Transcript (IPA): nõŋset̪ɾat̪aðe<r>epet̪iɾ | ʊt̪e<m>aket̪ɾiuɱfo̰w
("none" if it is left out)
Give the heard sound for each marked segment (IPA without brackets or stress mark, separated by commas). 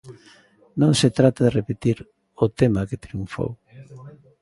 r, m